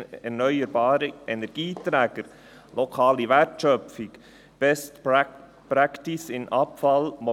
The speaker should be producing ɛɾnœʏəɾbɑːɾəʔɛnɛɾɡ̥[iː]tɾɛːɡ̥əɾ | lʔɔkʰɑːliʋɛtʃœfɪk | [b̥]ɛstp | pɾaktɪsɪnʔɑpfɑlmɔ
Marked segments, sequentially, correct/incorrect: correct, correct

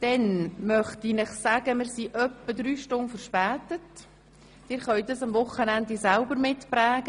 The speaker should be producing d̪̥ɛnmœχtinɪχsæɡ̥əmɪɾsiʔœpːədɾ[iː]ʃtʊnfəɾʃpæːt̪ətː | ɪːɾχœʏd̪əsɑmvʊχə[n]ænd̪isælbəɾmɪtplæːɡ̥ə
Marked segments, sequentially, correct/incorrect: incorrect: yː, correct

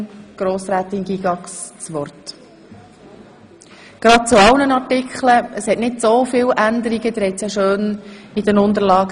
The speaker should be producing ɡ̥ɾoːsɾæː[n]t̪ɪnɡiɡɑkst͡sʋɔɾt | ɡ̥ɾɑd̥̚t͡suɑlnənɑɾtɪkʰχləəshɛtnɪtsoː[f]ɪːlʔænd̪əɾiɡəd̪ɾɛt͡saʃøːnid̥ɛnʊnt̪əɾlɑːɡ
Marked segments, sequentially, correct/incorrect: incorrect: none, correct

